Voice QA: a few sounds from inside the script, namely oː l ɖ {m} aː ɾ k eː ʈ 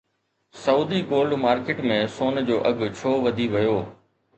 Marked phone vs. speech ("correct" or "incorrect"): correct